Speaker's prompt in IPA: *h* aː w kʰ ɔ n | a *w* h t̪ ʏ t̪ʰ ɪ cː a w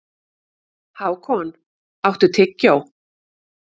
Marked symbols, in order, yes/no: yes, yes

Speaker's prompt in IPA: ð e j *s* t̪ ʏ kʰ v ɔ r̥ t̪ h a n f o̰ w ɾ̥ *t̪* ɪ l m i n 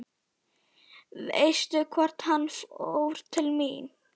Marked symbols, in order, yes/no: yes, no

